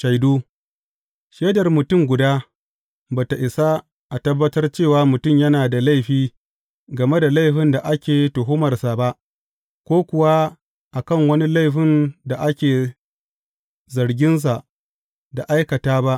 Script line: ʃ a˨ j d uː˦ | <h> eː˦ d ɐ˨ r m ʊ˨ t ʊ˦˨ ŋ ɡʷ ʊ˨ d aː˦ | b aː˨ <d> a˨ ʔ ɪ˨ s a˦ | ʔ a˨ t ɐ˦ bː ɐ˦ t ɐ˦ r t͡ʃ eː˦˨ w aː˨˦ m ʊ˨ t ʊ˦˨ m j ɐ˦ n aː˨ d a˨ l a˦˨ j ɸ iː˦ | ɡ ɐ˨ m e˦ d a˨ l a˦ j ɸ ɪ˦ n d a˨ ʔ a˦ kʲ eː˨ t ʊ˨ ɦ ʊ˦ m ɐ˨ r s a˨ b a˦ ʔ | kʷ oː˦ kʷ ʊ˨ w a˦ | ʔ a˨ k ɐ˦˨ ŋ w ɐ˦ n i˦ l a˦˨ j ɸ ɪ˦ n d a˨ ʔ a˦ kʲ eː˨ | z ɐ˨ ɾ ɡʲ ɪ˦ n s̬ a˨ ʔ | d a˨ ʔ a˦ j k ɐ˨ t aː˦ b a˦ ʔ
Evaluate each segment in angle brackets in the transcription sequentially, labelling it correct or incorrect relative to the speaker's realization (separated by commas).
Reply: incorrect, incorrect